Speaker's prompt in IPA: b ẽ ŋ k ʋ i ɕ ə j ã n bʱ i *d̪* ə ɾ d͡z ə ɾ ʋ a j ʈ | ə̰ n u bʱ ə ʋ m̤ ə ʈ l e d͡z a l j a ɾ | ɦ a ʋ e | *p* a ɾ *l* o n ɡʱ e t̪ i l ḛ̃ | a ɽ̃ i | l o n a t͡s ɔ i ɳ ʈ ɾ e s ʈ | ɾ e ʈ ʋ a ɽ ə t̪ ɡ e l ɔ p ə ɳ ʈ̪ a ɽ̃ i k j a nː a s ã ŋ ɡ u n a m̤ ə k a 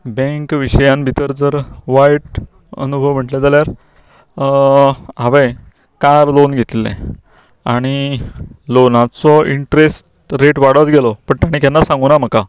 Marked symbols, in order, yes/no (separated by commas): no, no, yes